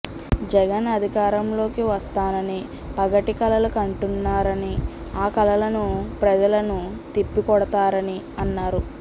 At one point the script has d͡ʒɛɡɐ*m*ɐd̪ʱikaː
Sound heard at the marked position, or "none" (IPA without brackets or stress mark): n